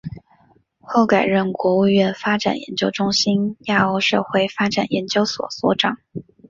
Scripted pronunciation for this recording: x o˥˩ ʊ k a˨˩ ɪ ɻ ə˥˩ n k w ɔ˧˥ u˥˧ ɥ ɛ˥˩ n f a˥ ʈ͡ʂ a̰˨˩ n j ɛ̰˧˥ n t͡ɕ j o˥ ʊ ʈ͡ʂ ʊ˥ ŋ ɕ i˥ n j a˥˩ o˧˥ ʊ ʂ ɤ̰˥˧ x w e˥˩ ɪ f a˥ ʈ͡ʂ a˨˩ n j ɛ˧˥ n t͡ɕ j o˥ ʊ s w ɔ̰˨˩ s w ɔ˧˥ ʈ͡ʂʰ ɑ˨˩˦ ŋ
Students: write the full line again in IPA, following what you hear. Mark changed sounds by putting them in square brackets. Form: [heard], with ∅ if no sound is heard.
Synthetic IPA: x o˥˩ ʊ k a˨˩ ɪ ɻ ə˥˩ n k w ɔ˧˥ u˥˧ ɥ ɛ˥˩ n f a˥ ʈ͡ʂ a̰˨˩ n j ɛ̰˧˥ n t͡ɕ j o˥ ʊ ʈ͡ʂ ʊ˥ ŋ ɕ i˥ n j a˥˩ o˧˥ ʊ ʂ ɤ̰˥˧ x w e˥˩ ɪ f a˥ ʈ͡ʂ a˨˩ n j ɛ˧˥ n t͡ɕ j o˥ ʊ s w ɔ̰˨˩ s w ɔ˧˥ [ʈ͡ʂ] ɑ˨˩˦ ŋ